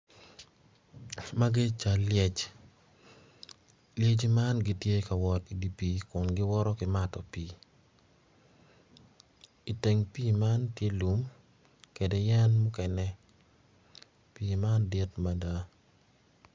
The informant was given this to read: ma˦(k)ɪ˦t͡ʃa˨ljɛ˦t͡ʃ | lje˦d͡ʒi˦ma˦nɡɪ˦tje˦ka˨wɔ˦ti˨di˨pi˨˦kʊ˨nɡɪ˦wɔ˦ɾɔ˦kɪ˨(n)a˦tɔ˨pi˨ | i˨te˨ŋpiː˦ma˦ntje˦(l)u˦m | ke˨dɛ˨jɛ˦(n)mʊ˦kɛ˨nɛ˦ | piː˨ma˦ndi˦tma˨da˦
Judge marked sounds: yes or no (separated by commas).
no, no, yes, yes